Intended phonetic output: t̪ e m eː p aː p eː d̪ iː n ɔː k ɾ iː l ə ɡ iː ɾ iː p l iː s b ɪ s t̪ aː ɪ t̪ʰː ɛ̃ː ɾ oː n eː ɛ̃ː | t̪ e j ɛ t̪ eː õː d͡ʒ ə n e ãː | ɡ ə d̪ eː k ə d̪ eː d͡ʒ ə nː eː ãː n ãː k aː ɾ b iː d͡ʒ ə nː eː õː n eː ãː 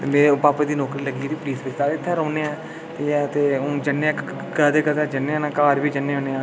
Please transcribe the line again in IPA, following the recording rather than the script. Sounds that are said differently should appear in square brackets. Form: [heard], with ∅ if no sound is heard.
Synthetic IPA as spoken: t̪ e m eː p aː p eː d̪ iː n ɔː k ɾ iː l ə ɡ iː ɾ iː p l iː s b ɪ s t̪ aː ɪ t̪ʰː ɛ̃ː ɾ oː n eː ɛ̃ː | t̪ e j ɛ t̪ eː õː d͡ʒ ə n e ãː | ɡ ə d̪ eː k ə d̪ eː d͡ʒ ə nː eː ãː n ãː k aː ɾ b iː d͡ʒ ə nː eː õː n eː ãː